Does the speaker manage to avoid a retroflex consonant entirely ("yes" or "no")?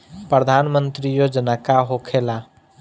yes